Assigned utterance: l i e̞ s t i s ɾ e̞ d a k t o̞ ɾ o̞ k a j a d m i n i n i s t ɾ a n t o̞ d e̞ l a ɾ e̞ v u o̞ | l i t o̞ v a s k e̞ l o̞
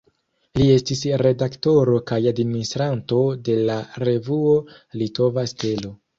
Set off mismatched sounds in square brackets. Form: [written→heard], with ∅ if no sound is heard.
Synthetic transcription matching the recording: l i e̞ s t i s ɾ e̞ d a k t o̞ ɾ o̞ k a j a d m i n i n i s t ɾ a n t o̞ d e̞ l a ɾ e̞ v u o̞ | l i t o̞ v a s [k→t] e̞ l o̞